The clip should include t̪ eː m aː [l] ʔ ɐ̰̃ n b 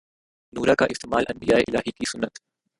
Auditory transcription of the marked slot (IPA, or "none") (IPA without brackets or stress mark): l